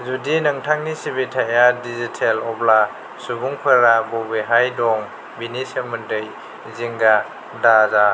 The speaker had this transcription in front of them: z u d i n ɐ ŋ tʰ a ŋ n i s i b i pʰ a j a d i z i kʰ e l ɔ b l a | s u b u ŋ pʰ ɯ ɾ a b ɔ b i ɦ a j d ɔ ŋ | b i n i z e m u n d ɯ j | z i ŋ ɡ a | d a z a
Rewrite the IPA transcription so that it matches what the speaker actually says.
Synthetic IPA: z u d i n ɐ ŋ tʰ a ŋ n i s i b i tʰ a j a d i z i tʰ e l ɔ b l a | s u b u ŋ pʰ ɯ ɾ a b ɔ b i ɦ a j d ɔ ŋ | b i n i s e m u n d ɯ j | z i ŋ ɡ a | d a z a